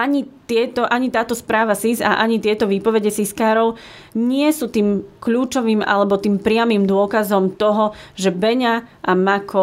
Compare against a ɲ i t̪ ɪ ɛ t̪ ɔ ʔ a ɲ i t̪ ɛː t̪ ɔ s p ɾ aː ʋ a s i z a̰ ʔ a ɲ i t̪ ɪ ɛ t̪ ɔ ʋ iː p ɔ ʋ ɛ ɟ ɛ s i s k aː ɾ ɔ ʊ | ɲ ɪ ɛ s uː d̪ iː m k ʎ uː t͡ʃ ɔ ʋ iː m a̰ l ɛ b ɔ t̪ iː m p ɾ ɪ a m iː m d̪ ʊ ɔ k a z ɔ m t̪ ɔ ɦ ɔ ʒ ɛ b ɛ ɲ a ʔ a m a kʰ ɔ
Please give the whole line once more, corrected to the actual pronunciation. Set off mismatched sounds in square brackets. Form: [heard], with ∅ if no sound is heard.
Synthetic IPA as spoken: a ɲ i t̪ ɪ ɛ t̪ ɔ ʔ a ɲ i t̪ [aː] t̪ ɔ s p ɾ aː ʋ a s i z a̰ ʔ a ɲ i t̪ ɪ ɛ t̪ ɔ ʋ iː p ɔ ʋ ɛ ɟ ɛ s i s k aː ɾ ɔ ʊ | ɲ ɪ ɛ s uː [t̪] iː m k ʎ uː t͡ʃ ɔ ʋ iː m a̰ l ɛ b ɔ t̪ iː m p ɾ ɪ a m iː m d̪ ʊ ɔ k a z ɔ m t̪ ɔ ɦ ɔ ʒ ɛ b ɛ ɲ a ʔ a m a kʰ ɔ